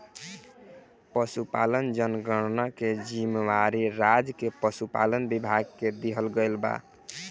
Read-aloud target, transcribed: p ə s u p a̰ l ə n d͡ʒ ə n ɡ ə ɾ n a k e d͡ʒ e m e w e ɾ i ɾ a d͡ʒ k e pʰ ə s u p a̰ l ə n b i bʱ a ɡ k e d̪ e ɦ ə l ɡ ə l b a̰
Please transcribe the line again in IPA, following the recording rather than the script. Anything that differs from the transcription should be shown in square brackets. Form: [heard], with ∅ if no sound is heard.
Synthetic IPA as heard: p ə s u p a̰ l ə n d͡ʒ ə n ɡ ə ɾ n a k e d͡ʒ [i] m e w [a] ɾ i ɾ a d͡ʒ k e [p] ə s u p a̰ l ə n b i bʱ a ɡ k e d̪ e ɦ ə l ɡ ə l b a̰

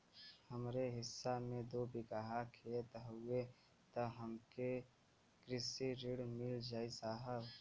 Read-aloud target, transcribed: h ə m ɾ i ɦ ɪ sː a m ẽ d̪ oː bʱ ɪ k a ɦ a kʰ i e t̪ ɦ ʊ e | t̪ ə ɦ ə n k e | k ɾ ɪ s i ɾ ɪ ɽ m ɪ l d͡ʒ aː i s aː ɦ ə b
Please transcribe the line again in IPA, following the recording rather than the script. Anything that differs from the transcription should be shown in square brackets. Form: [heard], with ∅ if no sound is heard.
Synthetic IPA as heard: h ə m ɾ [e] ɦ ɪ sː a m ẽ d̪ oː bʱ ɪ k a ɦ a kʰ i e t̪ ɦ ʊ e | t̪ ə ɦ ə [m] k e | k ɾ ɪ s i ɾ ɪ ɽ m ɪ l d͡ʒ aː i s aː ɦ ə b

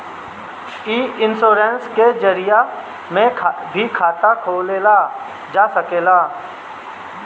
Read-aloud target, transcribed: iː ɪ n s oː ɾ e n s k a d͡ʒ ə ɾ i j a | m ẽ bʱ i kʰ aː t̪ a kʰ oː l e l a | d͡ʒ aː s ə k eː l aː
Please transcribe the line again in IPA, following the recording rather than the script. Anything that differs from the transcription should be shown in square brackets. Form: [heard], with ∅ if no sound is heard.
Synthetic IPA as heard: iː ɪ n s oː ɾ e n s k [e] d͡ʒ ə ɾ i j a | m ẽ bʱ i kʰ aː t̪ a kʰ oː l e l a | d͡ʒ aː s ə k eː l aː

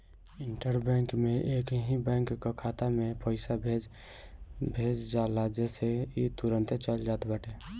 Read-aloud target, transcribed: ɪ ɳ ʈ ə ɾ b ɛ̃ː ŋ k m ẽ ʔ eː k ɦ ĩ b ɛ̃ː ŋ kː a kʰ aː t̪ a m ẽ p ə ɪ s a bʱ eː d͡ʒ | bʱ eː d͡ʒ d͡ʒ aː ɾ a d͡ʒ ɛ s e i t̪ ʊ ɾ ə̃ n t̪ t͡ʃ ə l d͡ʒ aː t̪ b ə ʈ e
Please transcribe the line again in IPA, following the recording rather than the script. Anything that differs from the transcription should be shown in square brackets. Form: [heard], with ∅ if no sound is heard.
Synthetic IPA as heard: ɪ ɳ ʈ ə ɾ b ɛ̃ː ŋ k m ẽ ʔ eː k ɦ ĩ b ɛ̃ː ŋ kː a kʰ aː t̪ a m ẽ p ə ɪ s a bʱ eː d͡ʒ | bʱ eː d͡ʒ d͡ʒ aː [l] a d͡ʒ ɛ s e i t̪ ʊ ɾ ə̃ n t̪ t͡ʃ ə l d͡ʒ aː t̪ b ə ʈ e

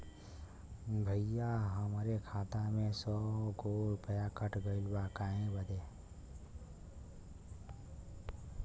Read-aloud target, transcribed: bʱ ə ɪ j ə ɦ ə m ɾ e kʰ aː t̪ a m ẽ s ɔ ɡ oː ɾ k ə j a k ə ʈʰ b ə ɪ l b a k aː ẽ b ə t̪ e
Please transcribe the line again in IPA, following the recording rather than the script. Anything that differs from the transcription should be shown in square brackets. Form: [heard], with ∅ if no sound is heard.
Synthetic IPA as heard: bʱ ə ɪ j [a] ɦ ə m ɾ e kʰ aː t̪ a m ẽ s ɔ ɡ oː ɾ [p] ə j a k ə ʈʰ [ɡ] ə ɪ l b a k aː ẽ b ə [d̪] e

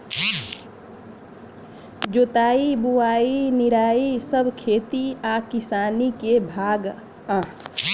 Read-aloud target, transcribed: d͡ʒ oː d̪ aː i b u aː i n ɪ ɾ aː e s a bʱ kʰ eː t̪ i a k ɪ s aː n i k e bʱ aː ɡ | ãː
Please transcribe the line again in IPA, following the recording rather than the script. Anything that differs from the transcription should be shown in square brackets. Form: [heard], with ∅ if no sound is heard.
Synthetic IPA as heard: d͡ʒ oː [t̪] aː i b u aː i n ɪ ɾ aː [i] s [ə] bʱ kʰ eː t̪ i a k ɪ s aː n i k e bʱ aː ɡ | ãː

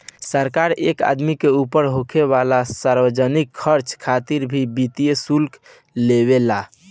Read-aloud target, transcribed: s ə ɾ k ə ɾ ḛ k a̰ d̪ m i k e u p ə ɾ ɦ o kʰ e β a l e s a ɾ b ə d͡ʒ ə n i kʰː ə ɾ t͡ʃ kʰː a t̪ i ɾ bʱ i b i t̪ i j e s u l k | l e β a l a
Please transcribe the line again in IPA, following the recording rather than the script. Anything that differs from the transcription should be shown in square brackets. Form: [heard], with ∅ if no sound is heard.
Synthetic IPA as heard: s ə ɾ k [a] ɾ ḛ k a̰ d̪ m i k e u p ə ɾ ɦ o kʰ e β a l [a] s a ɾ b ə d͡ʒ ə n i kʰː ə ɾ t͡ʃ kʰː a t̪ i ɾ bʱ i b i t̪ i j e s u l k | l e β [e] l a

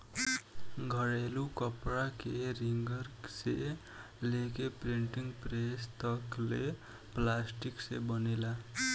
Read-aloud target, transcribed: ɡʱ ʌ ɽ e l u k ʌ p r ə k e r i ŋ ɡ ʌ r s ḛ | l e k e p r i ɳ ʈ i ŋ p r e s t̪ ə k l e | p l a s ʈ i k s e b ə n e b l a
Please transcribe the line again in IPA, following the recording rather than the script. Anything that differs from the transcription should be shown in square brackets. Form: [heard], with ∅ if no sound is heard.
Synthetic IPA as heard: ɡʱ ʌ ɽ e l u k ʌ p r [a] k e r i ŋ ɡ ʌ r s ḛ | l e k e p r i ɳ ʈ i ŋ p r e s t̪ [ʌ] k l e | p l a s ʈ i k s e b [ʌ] n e [∅] l a

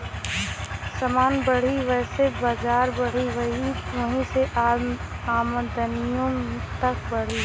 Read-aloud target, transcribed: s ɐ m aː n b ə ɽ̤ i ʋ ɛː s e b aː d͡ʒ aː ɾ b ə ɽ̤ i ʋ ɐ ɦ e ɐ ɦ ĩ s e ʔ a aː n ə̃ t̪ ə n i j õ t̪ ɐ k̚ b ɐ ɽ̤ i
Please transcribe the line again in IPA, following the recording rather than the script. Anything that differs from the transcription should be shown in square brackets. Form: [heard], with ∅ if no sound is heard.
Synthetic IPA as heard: s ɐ m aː n b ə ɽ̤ i ʋ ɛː s e b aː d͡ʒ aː ɾ b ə ɽ̤ i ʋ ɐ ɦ [i] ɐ ɦ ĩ s e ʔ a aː [m] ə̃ [d̪] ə n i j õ t̪ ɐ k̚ b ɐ ɽ̤ i

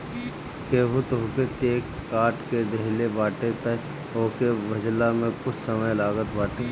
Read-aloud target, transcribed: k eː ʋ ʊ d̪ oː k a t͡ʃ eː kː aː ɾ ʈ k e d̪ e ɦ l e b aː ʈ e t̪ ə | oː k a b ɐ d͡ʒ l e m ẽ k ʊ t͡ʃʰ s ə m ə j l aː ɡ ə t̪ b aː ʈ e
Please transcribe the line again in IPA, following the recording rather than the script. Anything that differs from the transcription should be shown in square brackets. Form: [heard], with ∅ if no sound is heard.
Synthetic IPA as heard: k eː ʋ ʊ [t̪] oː k [e] t͡ʃ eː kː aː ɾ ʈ k e d̪ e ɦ l e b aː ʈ e t̪ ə | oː k [e] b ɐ d͡ʒ l [a] m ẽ k ʊ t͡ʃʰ s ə m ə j l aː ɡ ə t̪ b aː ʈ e

